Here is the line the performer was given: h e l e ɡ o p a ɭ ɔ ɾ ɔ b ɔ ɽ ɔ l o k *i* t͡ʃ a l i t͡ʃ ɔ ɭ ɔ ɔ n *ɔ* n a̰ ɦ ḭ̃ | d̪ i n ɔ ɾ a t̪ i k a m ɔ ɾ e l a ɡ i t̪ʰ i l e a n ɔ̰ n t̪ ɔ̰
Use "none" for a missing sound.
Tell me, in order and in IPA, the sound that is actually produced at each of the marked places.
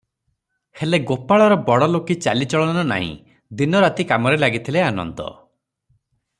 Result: i, ɔ

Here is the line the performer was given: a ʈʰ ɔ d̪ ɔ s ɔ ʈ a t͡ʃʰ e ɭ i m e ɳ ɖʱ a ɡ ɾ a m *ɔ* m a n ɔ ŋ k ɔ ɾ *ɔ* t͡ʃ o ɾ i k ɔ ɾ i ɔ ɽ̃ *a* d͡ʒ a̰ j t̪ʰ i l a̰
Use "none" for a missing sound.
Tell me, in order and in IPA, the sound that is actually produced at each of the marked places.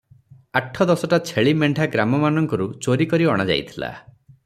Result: ɔ, u, a

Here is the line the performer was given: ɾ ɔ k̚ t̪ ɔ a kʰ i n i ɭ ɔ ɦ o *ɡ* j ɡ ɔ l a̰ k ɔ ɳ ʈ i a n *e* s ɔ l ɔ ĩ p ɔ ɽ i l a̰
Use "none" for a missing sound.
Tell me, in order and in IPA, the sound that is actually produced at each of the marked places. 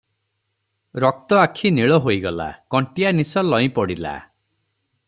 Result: none, i

